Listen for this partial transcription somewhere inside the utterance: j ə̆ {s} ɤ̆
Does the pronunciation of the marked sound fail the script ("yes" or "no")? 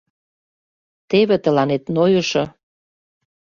yes